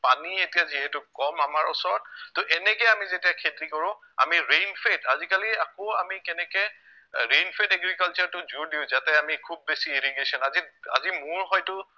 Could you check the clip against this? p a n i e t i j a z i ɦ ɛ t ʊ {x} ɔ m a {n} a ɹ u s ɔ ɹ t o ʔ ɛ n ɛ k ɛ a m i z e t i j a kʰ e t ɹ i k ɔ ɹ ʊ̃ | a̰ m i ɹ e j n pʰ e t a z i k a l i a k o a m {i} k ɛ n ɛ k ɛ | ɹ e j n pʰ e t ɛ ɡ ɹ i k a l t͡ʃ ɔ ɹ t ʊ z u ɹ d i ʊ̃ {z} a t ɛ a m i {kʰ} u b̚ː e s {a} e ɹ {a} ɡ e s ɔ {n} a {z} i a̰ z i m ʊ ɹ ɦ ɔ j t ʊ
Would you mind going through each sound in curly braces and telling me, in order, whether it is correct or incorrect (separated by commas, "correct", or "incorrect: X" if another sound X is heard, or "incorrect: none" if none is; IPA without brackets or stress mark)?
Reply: incorrect: k, incorrect: m, correct, correct, correct, incorrect: i, incorrect: i, correct, correct